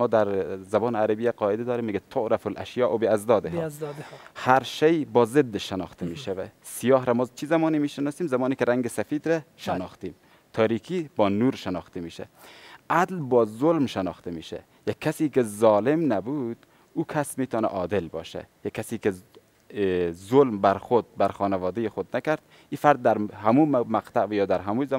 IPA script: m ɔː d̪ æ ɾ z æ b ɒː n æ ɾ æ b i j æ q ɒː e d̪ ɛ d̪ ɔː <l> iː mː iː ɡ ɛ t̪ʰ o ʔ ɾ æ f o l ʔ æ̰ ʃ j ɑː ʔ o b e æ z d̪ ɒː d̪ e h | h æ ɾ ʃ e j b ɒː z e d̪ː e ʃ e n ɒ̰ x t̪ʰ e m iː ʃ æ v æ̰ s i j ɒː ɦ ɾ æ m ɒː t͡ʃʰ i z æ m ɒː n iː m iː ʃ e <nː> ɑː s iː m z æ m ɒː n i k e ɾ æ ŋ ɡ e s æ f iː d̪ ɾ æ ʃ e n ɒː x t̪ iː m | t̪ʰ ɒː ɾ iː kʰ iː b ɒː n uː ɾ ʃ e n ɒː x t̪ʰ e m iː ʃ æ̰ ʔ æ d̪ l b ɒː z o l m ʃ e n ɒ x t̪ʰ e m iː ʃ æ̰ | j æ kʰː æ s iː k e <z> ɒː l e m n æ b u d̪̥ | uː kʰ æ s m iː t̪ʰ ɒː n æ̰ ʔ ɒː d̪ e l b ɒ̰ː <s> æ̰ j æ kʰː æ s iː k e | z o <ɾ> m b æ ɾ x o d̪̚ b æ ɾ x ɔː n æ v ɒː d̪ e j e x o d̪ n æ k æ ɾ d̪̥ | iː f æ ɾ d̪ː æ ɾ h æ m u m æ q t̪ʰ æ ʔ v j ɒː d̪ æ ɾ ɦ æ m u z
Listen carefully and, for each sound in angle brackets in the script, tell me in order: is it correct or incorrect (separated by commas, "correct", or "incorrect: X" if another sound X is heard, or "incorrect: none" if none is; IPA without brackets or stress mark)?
incorrect: ɾ, incorrect: n, correct, incorrect: ʃ, incorrect: l